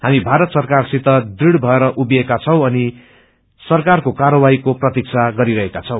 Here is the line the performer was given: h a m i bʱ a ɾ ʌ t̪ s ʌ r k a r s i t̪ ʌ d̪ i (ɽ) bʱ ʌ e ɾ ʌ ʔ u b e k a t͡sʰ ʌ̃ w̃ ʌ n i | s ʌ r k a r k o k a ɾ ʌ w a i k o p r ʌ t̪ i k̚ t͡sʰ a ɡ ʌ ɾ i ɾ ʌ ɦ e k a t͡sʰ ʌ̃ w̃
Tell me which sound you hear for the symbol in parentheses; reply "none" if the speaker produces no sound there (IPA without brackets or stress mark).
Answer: ɽ